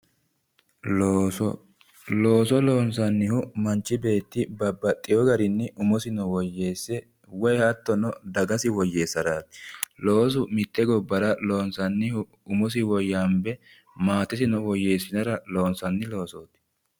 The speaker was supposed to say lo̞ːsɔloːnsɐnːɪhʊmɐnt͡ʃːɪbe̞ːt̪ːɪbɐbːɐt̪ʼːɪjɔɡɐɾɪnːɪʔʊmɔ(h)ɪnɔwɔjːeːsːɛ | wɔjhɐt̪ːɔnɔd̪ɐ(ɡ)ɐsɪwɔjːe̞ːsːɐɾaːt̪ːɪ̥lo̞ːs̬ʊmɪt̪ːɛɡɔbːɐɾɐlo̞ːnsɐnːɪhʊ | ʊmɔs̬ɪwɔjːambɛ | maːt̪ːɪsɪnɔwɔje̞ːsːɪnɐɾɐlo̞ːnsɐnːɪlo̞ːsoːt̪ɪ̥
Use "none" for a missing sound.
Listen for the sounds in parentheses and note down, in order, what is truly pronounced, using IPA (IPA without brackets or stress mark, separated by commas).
s, ɡ